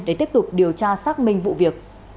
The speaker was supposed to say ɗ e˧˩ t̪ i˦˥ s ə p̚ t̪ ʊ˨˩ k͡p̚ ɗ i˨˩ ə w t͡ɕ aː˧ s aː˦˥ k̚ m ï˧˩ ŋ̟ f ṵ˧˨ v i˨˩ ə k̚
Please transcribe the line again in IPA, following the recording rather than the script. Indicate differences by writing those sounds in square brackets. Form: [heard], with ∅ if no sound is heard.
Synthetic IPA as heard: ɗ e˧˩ t̪ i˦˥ [∅] ə p̚ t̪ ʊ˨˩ k͡p̚ ɗ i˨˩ ə w t͡ɕ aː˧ s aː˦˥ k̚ m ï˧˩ ŋ̟ [v] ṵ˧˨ v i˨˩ ə k̚

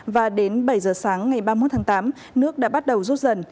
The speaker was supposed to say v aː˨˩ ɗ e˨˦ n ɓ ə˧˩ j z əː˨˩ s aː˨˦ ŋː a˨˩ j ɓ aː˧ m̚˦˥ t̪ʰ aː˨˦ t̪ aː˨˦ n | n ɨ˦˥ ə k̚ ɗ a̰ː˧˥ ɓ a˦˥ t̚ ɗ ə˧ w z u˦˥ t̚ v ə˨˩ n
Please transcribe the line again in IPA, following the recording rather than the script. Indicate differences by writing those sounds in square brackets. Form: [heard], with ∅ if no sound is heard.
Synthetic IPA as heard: v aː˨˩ ɗ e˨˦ n ɓ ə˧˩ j z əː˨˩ s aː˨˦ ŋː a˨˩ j ɓ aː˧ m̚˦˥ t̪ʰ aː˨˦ t̪ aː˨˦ [m] | n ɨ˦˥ ə k̚ ɗ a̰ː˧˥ ɓ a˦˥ t̚ ɗ [ə˨˩] w z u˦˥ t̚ [z] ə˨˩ n

